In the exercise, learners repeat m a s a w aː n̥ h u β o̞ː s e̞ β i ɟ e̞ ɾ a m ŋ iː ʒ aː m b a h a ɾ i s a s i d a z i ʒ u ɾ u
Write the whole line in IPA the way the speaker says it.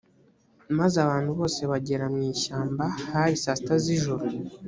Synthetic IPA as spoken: m a z a β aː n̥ h u β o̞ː s e̞ β a ɟ e̞ ɾ a m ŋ iː ʃ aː m b a h a ɾ i s a s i t a z i ʒ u ɾ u